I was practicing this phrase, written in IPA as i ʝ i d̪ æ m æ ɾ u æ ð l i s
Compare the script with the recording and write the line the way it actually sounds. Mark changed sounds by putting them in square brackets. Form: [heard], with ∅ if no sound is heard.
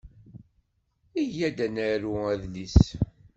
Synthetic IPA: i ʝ [æ] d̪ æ [n] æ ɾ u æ ð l i s